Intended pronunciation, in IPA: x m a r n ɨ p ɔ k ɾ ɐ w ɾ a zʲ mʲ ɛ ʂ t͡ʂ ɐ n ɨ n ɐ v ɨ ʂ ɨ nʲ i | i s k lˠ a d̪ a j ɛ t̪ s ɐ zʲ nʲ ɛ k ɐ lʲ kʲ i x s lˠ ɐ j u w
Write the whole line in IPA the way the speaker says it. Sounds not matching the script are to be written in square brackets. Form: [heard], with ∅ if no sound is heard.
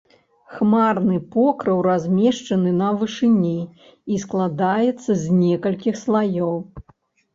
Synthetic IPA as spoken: x m a r n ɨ p ɔ k ɾ ɐ w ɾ a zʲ mʲ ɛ ʂ t͡ʂ ɐ n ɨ n ɐ v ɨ ʂ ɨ nʲ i | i s k lˠ a d̪ a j ɛ t̪ [sː] ɐ zʲ nʲ ɛ k ɐ lʲ kʲ i x s lˠ [a] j [ɔ] w

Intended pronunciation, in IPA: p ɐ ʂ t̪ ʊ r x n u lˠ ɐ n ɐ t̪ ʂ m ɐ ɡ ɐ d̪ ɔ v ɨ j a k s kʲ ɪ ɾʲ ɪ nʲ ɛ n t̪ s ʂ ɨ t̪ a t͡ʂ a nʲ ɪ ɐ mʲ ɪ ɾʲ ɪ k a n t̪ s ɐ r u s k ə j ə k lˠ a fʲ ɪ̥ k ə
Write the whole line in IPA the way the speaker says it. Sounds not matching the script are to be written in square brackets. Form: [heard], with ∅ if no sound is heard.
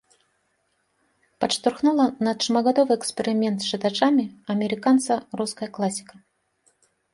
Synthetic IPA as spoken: p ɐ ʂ t̪ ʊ r x n u lˠ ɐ n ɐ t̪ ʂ m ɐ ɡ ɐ d̪ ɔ v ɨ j [ɛ] k s [pʲ] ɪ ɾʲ ɪ [mʲ] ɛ n t̪ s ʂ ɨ t̪ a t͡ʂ a [mʲ] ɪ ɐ mʲ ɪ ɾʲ ɪ k a n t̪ s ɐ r u s k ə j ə k lˠ a [sʲ] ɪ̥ k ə

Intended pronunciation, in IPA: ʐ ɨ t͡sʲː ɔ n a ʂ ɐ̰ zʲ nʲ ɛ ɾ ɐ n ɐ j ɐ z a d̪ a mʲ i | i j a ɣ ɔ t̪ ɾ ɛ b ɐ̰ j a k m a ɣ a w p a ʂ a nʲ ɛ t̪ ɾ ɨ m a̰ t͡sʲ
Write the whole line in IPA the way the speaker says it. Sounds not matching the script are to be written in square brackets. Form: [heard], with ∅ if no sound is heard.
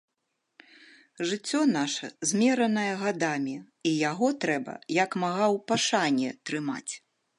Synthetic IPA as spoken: ʐ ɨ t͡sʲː ɔ n a ʂ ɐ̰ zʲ [mʲ] ɛ ɾ ɐ n ɐ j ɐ [ɣ] a d̪ a mʲ i | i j a ɣ ɔ t̪ ɾ ɛ b ɐ̰ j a k m a ɣ a w p a ʂ a nʲ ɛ t̪ ɾ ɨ m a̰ t͡sʲ

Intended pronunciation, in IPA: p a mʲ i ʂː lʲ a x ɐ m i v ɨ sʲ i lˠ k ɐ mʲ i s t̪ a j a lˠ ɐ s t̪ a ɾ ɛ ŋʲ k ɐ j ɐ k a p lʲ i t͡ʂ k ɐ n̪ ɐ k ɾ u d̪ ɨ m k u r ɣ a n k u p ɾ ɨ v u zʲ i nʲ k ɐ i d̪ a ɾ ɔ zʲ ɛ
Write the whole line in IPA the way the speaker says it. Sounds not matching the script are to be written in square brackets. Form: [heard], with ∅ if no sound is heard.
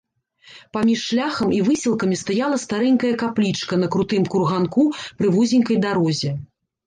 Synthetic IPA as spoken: p a mʲ i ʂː lʲ a x ɐ m i v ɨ sʲ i lˠ k ɐ mʲ i s t̪ a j a lˠ ɐ s t̪ a ɾ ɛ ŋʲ k ɐ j ɐ k a p lʲ i t͡ʂ k ɐ n̪ ɐ k ɾ u [t̪] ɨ m k u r ɣ a n k u p ɾ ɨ v u zʲ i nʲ k ɐ [j] d̪ a ɾ ɔ zʲ ɛ

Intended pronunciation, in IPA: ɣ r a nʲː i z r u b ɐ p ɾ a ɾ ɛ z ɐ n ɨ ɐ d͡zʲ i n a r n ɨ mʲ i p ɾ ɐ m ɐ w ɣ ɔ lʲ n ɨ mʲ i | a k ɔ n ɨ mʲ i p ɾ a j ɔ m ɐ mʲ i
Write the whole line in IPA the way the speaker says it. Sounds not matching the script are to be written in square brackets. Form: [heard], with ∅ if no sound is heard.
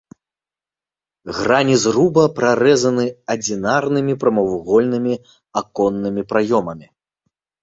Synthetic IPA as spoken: ɣ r a [nʲ] i z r u b ɐ p ɾ a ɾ ɛ z ɐ n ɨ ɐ d͡zʲ i n a r n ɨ mʲ i p ɾ ɐ m ɐ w ɣ ɔ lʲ n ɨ mʲ i | a k ɔ [nː] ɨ mʲ i p ɾ a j ɔ m ɐ mʲ i

